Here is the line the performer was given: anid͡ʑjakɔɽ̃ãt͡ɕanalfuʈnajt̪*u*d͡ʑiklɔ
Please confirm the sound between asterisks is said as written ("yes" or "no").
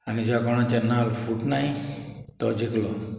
no